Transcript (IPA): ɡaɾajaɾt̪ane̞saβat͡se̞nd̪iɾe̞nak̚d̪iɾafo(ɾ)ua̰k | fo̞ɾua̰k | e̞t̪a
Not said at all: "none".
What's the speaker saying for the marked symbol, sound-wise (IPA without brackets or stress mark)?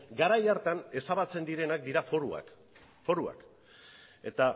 ɾ